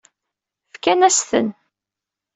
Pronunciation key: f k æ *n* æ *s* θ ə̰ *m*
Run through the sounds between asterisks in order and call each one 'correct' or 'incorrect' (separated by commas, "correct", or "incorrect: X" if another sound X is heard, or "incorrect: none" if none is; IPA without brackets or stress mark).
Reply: correct, correct, incorrect: n